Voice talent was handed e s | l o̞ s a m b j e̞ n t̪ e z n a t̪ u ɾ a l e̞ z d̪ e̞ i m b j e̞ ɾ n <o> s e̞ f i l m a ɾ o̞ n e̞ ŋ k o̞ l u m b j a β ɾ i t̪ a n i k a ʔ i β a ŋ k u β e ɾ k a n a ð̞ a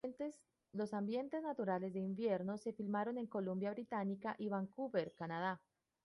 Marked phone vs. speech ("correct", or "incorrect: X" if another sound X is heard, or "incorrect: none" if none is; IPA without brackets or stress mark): correct